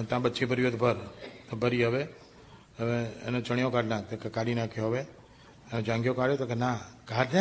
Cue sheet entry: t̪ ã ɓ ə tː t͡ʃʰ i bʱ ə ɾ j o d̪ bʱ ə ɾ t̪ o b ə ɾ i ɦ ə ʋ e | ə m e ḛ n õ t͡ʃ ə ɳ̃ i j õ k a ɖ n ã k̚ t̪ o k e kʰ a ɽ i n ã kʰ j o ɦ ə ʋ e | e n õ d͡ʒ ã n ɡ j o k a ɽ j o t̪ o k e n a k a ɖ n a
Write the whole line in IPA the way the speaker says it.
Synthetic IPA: t̪ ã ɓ ə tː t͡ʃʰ i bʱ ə ɾ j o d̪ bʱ ə ɾ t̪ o b ə ɾ i ɦ ə ʋ e | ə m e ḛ n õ t͡ʃ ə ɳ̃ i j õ k a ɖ n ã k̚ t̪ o k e k a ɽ i n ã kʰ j o ɦ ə ʋ e | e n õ d͡ʒ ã ŋ ɡ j o k a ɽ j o t̪ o k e n a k a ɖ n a